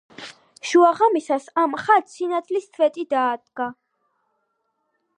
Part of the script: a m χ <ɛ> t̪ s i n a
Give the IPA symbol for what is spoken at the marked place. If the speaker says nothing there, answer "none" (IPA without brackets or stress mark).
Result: a